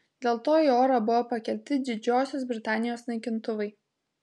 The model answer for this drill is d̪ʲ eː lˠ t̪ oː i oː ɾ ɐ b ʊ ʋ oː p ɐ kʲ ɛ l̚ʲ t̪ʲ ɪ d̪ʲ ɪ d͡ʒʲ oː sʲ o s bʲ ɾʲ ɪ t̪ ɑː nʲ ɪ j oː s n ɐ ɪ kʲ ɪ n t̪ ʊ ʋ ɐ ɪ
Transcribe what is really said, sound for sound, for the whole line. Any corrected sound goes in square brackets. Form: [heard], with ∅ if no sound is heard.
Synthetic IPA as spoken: d̪ʲ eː lˠ t̪ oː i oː ɾ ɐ b ʊ ʋ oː p ɐ kʲ ɛ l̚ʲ t̪ʲ ɪ d̪ʲ ɪ d͡ʒʲ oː sʲ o s bʲ ɾʲ ɪ t̪ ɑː nʲ ɪ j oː s n ɐ ɪ kʲ ɪ n t̪ ʊ ʋ ɐ ɪ